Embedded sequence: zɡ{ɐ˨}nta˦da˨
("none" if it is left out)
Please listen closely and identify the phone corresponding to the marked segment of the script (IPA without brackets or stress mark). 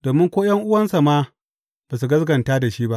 ɐ˨